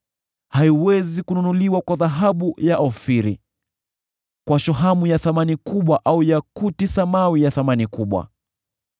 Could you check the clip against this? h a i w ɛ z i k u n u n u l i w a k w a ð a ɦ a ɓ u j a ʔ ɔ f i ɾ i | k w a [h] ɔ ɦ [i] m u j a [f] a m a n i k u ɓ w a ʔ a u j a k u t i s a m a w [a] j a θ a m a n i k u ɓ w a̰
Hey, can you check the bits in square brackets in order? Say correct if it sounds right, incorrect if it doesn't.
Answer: incorrect: ʃ, incorrect: a, incorrect: θ, incorrect: i

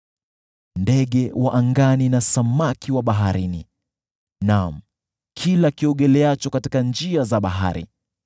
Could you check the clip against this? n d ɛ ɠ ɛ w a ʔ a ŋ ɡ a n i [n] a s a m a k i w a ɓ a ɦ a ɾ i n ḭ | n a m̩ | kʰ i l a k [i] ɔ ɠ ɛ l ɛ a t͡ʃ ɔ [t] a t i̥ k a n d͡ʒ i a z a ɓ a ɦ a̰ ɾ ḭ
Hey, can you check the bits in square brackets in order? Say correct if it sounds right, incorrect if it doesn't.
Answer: correct, correct, incorrect: k

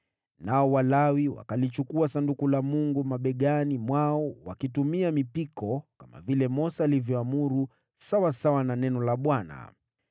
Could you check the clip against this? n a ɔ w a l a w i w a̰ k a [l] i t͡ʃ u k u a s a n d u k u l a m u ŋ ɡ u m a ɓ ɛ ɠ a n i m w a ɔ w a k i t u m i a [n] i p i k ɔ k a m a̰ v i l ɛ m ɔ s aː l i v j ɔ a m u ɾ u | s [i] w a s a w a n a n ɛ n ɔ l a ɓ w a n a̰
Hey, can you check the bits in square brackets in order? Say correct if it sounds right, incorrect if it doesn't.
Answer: correct, incorrect: m, incorrect: a

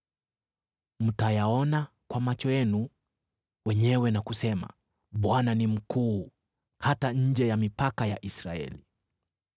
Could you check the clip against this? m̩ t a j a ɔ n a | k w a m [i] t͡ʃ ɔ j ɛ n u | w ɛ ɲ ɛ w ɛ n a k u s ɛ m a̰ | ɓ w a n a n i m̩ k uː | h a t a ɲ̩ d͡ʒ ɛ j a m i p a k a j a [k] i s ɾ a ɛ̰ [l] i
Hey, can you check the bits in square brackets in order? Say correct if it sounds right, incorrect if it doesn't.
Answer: incorrect: a, incorrect: ʔ, correct

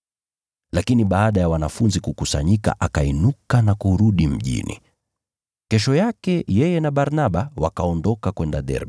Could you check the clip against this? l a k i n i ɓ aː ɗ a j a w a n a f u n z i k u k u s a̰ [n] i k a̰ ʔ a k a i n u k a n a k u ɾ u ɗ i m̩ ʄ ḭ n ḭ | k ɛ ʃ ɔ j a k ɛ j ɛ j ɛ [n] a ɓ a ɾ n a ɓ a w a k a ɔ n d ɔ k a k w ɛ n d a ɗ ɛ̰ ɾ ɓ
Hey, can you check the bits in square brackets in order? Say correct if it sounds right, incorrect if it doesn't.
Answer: incorrect: ɲ, correct

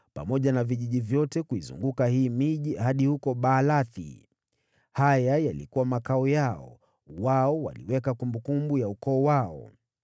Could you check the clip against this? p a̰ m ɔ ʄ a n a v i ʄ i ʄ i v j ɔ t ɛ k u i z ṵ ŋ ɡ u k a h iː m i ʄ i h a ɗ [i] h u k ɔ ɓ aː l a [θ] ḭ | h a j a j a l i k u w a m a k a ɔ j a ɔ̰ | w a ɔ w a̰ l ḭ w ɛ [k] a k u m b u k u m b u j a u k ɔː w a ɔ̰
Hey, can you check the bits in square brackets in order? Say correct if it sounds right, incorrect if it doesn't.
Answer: correct, correct, correct

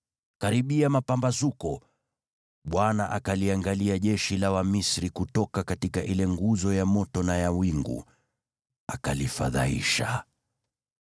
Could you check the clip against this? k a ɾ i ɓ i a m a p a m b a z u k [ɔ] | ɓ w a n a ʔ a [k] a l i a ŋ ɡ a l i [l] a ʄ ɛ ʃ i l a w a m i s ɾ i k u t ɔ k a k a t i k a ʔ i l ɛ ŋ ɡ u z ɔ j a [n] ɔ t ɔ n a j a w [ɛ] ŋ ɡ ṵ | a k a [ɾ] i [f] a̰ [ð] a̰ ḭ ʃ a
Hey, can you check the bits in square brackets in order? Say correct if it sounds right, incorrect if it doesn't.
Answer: correct, correct, incorrect: none, incorrect: m, incorrect: i, incorrect: l, correct, correct

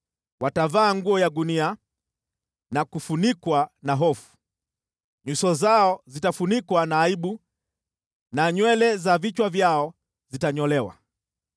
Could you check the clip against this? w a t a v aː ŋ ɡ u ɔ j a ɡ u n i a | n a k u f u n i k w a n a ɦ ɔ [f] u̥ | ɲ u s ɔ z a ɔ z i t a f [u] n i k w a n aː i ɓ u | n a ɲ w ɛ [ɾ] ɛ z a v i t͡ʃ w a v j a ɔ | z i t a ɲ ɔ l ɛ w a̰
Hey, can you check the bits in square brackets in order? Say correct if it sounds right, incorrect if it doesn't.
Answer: correct, correct, incorrect: l

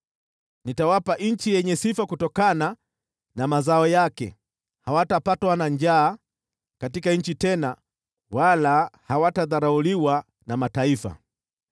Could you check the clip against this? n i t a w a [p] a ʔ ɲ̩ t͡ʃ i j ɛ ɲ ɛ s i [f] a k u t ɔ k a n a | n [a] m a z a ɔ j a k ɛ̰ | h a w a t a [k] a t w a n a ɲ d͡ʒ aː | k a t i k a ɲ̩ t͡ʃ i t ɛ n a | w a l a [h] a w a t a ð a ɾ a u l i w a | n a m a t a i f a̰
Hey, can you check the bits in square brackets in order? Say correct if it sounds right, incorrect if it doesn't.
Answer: correct, correct, correct, incorrect: p, correct

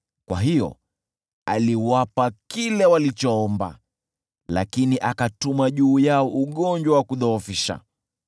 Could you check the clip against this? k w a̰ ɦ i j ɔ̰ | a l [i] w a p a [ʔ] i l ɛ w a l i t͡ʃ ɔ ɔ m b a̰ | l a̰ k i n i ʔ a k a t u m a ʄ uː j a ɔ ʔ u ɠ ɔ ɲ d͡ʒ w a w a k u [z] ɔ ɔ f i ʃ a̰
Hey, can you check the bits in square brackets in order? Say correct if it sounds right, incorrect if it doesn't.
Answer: correct, incorrect: k, incorrect: ð

